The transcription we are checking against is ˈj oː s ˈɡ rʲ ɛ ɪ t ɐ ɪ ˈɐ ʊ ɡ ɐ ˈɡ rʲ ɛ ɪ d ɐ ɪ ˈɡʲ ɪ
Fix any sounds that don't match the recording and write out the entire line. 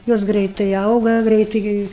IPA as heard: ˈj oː s ˈɡ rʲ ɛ ɪ t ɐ ɪ ˈɐ ʊ ɡ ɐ ˈɡ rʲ ɛ ɪ t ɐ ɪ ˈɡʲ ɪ